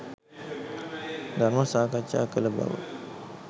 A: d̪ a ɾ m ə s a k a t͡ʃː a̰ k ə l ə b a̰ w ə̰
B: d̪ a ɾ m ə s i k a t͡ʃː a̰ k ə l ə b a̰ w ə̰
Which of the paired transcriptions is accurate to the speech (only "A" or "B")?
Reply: A